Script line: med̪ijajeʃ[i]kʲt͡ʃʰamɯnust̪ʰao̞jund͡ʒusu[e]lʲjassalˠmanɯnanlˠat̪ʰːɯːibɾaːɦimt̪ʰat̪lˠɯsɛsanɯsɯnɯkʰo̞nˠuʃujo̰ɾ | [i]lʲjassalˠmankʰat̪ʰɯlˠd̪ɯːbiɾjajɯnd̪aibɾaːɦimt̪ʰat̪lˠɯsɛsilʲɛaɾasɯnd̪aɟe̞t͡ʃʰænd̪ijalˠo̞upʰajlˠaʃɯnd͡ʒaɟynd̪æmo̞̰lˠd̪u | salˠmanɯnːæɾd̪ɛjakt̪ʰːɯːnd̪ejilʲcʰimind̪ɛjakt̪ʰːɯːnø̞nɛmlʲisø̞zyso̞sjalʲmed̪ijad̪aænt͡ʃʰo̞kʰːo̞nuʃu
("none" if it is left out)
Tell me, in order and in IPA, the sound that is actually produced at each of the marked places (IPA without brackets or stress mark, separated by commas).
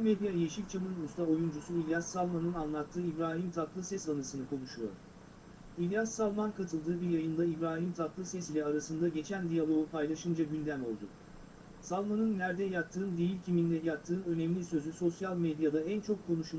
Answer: i, i, i